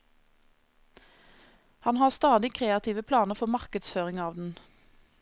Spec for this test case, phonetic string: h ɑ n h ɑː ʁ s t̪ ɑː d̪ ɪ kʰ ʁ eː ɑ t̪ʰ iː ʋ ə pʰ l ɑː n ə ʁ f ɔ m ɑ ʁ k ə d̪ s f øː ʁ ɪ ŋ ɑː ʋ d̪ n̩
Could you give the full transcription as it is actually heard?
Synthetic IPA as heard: h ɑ n h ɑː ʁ s t̪ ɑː d̪ ɪ kʰ ʁ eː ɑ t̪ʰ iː ʋ ə pʰ l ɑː n ə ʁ f ɔ m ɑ ʁ k ə d̪ s f øː ʁ ɪ ŋ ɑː ʋ d̪ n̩